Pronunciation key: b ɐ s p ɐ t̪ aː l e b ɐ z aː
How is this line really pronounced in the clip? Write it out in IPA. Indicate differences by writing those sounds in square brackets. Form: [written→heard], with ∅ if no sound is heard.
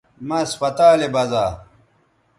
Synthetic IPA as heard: [b→m] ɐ s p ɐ t̪ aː l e b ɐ z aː

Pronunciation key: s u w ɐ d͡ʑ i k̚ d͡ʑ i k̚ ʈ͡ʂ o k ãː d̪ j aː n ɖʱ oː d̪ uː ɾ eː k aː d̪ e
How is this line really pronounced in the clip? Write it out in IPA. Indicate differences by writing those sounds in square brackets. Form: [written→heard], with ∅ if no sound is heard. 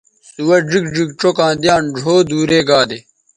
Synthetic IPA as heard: s u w ɐ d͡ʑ i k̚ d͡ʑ i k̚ ʈ͡ʂ o k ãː d̪ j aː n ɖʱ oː d̪ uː ɾ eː [k→ɡ] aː d̪ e

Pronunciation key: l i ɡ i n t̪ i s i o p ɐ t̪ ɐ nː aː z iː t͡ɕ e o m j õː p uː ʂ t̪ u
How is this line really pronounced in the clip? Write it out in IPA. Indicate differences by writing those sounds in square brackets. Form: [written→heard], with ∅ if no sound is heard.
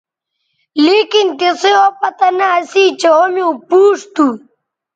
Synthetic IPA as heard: l i [ɡ→k] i n t̪ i s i o p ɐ t̪ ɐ [nː→n] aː [z→s] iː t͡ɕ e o m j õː p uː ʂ t̪ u

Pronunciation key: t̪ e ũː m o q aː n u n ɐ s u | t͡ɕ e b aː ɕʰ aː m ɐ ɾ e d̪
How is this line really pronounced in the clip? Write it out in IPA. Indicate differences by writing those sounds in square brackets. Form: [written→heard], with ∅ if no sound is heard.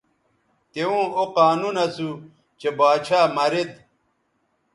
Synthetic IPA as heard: t̪ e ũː [m→∅] o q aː n u n ɐ s u | t͡ɕ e b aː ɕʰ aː m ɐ ɾ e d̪

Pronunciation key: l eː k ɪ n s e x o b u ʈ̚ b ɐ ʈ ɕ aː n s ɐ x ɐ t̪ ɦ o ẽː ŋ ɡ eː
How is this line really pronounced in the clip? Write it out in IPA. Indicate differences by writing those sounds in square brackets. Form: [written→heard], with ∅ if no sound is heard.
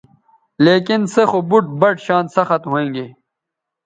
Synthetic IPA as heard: l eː k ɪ n s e x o b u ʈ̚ b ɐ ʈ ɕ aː n s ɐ x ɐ t̪ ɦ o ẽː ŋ ɡ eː

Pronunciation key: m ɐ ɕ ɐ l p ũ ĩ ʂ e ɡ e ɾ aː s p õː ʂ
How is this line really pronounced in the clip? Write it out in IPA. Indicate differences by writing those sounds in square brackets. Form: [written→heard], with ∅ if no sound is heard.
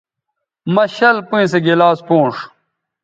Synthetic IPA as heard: m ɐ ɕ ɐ l p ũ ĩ [ʂ→s] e ɡ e [ɾ→l] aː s p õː ʂ

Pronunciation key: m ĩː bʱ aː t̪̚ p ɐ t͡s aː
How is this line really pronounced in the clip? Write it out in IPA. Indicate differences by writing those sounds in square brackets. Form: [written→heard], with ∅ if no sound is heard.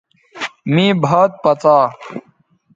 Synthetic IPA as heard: m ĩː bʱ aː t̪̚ p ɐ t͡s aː

